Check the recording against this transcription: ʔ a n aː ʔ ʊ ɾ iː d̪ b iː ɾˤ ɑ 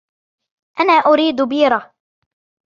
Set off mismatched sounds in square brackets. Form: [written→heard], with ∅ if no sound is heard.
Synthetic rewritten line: ʔ a n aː ʔ ʊ ɾ iː d̪ b iː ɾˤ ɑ